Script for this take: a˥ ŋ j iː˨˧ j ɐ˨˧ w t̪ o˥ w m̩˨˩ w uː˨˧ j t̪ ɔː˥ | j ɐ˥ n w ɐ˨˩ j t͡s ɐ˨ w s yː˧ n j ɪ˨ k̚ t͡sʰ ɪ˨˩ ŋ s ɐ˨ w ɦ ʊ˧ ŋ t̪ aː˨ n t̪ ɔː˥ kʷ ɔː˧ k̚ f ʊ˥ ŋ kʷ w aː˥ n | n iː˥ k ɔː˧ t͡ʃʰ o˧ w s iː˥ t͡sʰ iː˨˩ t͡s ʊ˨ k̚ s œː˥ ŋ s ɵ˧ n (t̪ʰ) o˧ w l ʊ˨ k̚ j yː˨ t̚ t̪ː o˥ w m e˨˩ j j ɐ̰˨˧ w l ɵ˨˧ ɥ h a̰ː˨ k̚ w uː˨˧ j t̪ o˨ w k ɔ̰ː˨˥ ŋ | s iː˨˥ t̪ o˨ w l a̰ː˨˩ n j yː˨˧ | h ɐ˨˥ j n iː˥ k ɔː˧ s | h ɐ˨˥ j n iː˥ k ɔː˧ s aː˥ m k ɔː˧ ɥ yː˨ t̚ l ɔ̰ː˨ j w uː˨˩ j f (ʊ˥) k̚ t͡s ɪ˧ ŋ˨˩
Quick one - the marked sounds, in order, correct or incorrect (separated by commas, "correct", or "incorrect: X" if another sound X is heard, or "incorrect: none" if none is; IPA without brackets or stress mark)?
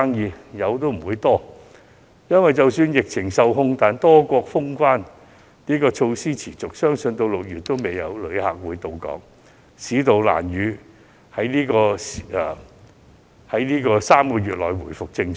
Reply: incorrect: t̪, incorrect: ʊ˨